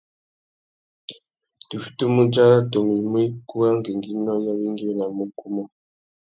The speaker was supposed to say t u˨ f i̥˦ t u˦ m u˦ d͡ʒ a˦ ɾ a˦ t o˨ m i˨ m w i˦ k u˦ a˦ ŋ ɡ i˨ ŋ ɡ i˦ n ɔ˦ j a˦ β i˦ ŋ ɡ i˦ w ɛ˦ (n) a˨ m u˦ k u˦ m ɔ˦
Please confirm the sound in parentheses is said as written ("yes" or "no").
yes